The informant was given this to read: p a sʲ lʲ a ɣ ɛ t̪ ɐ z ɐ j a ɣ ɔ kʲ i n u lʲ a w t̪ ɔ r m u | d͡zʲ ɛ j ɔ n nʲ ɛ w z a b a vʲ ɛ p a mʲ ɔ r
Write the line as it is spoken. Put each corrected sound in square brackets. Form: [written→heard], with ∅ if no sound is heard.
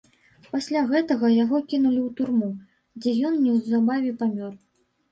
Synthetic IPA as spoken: p a sʲ lʲ a ɣ ɛ t̪ ɐ [z→ɣ] ɐ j a ɣ ɔ kʲ i n u lʲ [a→i] w t̪ [ɔ→u] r m u | d͡zʲ ɛ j ɔ n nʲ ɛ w z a b a vʲ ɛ p a mʲ ɔ r

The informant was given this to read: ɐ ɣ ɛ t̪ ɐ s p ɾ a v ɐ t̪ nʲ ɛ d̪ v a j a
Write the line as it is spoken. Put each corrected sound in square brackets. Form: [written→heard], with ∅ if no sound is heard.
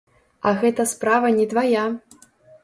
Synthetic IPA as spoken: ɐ ɣ ɛ t̪ ɐ s p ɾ a v ɐ [t̪→∅] nʲ ɛ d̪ v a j a

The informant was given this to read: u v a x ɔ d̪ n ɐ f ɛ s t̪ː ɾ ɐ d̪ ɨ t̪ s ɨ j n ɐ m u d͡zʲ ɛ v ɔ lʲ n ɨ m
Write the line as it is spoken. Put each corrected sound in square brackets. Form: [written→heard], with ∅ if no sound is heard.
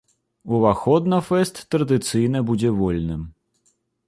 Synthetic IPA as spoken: u v a x ɔ d̪ n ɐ f ɛ s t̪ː ɾ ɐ d̪ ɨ t̪ s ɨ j n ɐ [m→b] u d͡zʲ ɛ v ɔ lʲ n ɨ m

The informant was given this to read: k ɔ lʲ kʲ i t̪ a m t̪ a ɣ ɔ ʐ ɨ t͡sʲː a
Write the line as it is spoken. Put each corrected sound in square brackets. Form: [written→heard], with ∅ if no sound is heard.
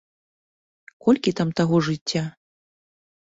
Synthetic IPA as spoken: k ɔ lʲ kʲ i t̪ a m t̪ a ɣ ɔ ʐ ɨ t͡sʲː a

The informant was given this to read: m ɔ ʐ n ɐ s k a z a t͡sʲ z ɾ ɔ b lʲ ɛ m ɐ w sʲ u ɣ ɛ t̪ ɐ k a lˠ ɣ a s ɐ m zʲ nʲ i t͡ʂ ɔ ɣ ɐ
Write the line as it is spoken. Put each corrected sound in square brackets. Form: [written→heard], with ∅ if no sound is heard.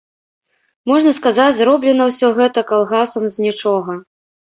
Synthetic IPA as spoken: m ɔ ʐ n ɐ s k a z a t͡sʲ z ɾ ɔ b lʲ ɛ [m→n] ɐ w sʲ [u→ɔ] ɣ ɛ t̪ ɐ k a lˠ ɣ a s ɐ m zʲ nʲ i t͡ʂ ɔ ɣ ɐ

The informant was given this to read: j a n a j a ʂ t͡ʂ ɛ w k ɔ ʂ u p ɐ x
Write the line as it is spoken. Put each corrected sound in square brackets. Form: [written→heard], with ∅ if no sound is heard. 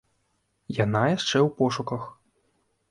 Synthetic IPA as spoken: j a n a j a ʂ t͡ʂ ɛ w [k→p] ɔ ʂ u [p→k] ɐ x

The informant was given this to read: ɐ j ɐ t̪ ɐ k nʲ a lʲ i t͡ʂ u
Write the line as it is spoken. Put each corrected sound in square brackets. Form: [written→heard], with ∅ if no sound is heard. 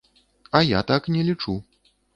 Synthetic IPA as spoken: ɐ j [ɐ→a] t̪ [ɐ→a] k nʲ [a→ɛ] lʲ i t͡ʂ u

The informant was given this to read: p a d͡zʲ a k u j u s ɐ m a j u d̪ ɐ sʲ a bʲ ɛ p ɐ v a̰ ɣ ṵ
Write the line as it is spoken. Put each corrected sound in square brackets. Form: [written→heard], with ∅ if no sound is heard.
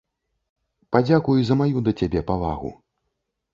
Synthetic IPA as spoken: p a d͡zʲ a k u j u [s→z] ɐ m a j u d̪ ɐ [sʲ→t͡sʲ] a bʲ ɛ p [ɐ→a] v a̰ ɣ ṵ

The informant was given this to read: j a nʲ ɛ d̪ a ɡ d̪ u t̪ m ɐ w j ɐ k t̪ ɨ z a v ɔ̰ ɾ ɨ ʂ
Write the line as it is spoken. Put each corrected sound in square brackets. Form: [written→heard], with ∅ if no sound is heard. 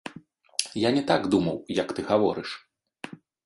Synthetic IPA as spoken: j a nʲ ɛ [d̪→t̪] a ɡ d̪ u [t̪→∅] m ɐ w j ɐ k t̪ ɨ [z→ɣ] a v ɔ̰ ɾ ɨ ʂ

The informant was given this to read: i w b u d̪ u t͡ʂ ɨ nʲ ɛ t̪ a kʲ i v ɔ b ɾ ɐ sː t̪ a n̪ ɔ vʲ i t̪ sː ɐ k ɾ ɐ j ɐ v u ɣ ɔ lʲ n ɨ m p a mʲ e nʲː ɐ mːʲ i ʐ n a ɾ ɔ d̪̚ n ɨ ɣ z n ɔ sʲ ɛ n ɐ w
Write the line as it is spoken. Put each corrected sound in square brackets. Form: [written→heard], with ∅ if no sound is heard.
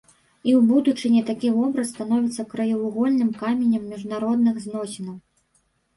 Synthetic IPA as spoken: i w b u d̪ u t͡ʂ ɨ nʲ ɛ t̪ a kʲ i v ɔ b ɾ ɐ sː t̪ a n̪ ɔ vʲ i t̪ sː ɐ k ɾ ɐ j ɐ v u ɣ ɔ lʲ n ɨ m [p→k] a mʲ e [nʲː→nʲ] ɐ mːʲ i ʐ n a ɾ ɔ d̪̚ n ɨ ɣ z n ɔ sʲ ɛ n ɐ w

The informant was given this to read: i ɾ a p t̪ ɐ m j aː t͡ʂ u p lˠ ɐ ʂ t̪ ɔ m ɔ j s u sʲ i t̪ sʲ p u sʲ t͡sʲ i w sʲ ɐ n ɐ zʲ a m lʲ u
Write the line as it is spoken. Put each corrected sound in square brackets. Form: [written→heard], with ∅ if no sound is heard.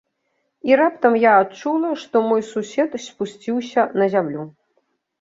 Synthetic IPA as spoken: i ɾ a p t̪ ɐ m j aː t͡ʂ u [p→∅] lˠ ɐ ʂ t̪ ɔ m ɔ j s u sʲ [i→ɛ] t̪ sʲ p u sʲ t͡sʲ i w sʲ ɐ n ɐ zʲ a m lʲ u

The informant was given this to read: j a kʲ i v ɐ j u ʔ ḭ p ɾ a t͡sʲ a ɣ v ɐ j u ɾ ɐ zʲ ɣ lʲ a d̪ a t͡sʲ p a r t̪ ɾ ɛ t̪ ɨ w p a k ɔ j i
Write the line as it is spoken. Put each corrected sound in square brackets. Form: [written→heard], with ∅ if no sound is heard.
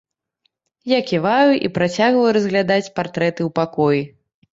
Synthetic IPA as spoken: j a kʲ i v [ɐ→a] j u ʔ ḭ p ɾ a t͡sʲ a ɣ v ɐ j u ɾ ɐ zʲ ɣ lʲ a d̪ a t͡sʲ p a r t̪ ɾ ɛ t̪ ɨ w p a k ɔ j i

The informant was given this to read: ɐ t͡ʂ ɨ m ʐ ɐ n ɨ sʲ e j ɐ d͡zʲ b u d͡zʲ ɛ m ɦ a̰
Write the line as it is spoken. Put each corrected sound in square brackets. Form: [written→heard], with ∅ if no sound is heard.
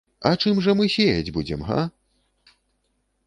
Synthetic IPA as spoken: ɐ t͡ʂ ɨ m ʐ ɐ [n→m] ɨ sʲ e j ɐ d͡zʲ b u d͡zʲ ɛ m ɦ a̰

